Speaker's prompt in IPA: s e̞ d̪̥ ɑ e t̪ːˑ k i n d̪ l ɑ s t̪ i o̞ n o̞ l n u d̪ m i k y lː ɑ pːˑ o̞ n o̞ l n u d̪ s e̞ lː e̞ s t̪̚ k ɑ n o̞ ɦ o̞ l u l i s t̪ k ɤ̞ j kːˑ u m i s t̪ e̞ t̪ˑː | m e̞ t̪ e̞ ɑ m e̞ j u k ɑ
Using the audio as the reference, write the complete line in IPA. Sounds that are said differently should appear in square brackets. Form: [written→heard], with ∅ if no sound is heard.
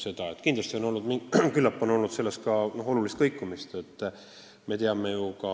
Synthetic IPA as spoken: s e̞ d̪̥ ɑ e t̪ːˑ k i n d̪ l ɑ s t̪ i o̞ n o̞ l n u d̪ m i k y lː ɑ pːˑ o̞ n o̞ l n u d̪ s e̞ lː e̞ s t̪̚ k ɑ n o̞ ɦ o̞ l u l i s t̪ k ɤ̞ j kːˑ u m i s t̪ e̞ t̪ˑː | m e̞ t̪ e̞ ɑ m e̞ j u k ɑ